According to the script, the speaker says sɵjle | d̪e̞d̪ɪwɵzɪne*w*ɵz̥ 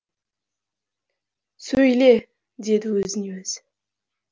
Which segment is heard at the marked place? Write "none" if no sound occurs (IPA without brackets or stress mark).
w